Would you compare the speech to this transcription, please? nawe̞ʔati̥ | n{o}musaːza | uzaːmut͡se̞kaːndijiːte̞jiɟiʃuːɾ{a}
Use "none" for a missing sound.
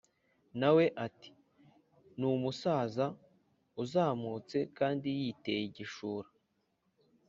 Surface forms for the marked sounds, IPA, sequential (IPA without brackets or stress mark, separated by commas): u, a